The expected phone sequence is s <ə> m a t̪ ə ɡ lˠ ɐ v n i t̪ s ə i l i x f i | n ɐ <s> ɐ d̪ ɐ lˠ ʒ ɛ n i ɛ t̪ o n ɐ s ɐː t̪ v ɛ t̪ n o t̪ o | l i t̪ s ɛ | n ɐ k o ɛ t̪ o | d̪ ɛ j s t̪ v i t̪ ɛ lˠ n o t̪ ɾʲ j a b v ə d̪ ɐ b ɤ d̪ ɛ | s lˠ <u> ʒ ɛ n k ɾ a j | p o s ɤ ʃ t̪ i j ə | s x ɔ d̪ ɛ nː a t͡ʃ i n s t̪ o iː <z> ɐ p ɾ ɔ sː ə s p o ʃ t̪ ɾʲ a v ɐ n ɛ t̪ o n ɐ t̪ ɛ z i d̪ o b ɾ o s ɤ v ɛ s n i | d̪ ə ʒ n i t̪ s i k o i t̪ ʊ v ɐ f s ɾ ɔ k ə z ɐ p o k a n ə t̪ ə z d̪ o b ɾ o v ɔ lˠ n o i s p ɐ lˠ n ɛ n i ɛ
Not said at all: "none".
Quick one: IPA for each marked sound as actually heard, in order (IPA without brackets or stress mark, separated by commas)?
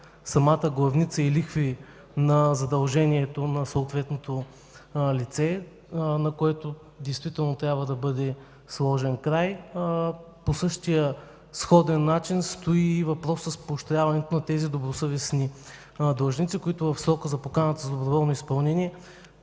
ɐ, z, ɔ, v